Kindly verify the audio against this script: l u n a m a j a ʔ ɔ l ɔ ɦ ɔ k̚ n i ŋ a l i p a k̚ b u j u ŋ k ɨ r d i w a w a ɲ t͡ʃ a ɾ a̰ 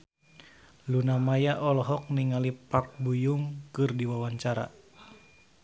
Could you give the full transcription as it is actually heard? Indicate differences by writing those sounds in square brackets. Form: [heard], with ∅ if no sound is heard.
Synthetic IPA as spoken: l u n a m a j a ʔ ɔ l ɔ ɦ ɔ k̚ n i ŋ a l i p a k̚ b u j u ŋ k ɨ r d i w a w a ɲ t͡ʃ a ɾ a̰

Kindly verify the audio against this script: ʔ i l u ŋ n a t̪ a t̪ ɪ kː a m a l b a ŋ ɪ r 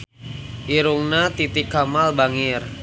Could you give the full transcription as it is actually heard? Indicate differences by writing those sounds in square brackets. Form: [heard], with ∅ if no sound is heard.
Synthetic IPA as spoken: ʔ i [ɾ] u ŋ n a t̪ [i] t̪ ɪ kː a m a l b a ŋ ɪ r

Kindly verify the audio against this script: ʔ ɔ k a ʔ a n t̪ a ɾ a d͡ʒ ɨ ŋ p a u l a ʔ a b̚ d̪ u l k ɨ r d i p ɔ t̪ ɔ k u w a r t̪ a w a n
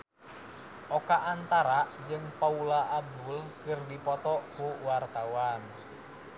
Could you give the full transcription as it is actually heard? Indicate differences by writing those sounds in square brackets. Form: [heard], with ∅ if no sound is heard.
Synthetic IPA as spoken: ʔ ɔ k a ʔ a n t̪ a ɾ a d͡ʒ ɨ ŋ p a u l a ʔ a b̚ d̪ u l k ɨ r d i p ɔ t̪ ɔ k u w a r t̪ a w a n

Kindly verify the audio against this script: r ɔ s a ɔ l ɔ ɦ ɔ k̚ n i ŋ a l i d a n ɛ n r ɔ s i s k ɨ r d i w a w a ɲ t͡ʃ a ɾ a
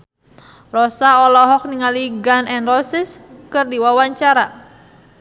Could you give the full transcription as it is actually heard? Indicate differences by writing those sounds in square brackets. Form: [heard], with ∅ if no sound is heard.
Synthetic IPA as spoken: r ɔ s a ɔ l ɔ ɦ ɔ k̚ n i ŋ a l i [ɡ] a n ɛ n r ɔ s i s k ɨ r d i w a w a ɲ t͡ʃ a ɾ a

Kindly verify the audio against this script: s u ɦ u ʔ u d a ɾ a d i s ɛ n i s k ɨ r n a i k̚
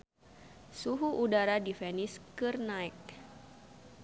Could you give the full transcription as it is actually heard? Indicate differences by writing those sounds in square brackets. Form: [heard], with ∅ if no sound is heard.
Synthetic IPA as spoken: s u ɦ u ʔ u d a ɾ a d i [f] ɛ n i s k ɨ r n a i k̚

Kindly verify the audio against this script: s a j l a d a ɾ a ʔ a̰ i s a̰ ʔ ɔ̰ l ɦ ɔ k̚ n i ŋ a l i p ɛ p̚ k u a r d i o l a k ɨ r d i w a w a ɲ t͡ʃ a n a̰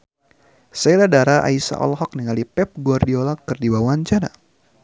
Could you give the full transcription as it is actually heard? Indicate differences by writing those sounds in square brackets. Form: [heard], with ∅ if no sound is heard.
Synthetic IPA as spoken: s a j l a d a ɾ a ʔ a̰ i s a̰ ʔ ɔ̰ l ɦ ɔ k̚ n i ŋ a l i p ɛ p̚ [ɡ] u a r d i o l a k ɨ r d i w a w a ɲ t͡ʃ a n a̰

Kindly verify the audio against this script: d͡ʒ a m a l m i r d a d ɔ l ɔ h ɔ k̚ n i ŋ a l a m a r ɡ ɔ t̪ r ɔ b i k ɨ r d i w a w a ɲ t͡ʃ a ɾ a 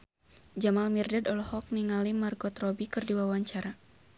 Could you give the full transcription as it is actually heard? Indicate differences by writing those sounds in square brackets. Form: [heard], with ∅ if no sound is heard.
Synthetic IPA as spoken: d͡ʒ a m a l m i r d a d ɔ l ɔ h ɔ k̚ n i ŋ a l [i] m a r ɡ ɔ t̪ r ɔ b i k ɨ r d i w a w a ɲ t͡ʃ a ɾ a

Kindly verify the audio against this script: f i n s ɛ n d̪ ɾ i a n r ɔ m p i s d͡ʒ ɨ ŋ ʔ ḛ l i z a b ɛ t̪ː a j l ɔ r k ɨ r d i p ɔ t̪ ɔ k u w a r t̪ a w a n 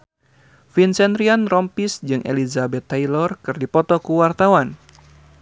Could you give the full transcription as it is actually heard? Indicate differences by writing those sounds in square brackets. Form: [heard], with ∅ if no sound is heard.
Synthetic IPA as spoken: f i n s ɛ n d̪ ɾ i a n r ɔ m p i s d͡ʒ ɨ ŋ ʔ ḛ l i z a b ɛ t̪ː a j l ɔ r k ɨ r d i p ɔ t̪ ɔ k u w a r t̪ a w a n

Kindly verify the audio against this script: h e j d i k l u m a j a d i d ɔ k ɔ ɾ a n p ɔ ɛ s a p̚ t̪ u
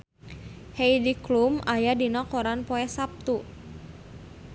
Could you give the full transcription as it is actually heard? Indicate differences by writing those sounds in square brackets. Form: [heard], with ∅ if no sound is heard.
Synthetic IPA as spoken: h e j d i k l u m a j a d i [n] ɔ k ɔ ɾ a n p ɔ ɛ s a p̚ t̪ u

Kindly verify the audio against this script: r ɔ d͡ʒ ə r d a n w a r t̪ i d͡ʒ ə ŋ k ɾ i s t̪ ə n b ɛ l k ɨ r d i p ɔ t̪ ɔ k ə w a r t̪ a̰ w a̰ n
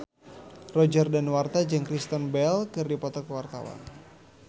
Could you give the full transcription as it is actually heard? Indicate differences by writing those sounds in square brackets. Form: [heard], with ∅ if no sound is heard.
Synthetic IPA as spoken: r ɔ d͡ʒ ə r d a n w a r t̪ [a] d͡ʒ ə ŋ k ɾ i s t̪ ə n b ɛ l k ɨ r d i p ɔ t̪ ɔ k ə w a r t̪ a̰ w a̰ n

